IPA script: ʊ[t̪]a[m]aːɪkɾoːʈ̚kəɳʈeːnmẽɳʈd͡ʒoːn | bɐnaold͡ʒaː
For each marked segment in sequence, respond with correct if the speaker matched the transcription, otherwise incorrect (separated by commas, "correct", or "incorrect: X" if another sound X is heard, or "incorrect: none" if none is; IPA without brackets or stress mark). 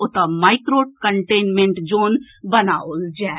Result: correct, correct